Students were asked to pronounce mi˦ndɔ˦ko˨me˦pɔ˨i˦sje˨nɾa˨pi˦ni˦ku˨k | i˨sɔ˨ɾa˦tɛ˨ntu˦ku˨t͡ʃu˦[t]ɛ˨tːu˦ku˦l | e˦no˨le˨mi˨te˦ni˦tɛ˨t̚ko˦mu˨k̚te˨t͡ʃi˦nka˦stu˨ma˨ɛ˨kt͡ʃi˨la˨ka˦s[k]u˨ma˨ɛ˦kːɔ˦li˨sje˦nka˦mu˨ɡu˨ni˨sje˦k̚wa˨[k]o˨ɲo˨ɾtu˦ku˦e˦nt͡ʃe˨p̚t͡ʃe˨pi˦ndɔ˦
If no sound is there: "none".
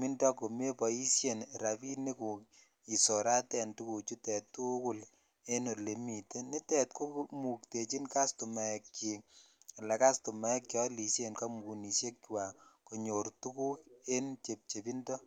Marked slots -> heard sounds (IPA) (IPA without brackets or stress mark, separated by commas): t, t, k